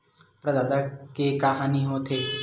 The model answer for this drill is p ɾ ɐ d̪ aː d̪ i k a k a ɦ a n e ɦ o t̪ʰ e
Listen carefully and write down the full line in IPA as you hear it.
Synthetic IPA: p ɾ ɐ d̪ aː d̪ a k e k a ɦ a n i ɦ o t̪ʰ e